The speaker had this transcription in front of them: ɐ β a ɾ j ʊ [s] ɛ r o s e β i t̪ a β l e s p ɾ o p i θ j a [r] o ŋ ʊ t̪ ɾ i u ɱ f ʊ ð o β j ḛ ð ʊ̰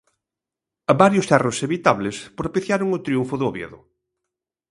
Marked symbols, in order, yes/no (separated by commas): yes, no